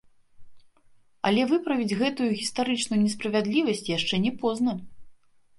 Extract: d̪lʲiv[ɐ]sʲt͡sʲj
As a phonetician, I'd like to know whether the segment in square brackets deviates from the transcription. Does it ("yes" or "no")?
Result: no